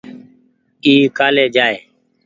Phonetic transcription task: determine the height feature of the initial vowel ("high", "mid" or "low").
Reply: high